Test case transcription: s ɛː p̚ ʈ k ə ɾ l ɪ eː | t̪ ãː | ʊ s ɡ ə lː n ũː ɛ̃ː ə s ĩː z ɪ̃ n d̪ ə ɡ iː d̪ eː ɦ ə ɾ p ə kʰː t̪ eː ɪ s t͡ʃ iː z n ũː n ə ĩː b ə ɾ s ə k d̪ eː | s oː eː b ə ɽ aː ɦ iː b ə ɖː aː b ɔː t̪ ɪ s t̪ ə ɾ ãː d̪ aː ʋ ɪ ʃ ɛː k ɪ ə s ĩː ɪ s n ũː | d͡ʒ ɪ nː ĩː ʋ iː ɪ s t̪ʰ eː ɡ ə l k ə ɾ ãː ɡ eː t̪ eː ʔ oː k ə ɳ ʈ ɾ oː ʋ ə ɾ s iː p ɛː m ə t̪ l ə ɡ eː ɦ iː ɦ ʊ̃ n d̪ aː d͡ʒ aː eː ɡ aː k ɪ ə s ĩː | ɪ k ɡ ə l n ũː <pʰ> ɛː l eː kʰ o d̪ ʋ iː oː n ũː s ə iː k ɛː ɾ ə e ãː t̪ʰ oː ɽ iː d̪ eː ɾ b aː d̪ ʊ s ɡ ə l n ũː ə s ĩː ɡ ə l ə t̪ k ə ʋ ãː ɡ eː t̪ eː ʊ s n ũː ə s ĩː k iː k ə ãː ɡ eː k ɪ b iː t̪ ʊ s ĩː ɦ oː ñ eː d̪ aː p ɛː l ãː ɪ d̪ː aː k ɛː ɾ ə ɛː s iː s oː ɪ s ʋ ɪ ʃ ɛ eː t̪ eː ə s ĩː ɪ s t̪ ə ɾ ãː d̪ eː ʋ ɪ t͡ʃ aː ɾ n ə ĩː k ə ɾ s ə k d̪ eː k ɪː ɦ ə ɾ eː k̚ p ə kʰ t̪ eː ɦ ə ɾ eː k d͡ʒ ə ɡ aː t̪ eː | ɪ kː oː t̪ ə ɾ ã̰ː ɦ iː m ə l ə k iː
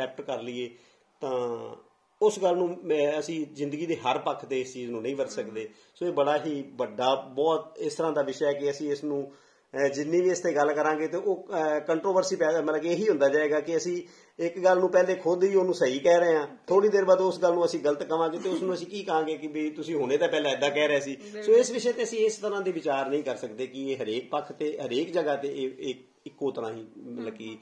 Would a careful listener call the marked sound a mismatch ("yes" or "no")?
yes